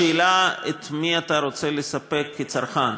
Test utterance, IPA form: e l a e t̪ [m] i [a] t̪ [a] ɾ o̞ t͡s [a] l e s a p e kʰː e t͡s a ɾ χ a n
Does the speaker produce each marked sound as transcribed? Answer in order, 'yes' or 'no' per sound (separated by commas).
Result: yes, yes, yes, no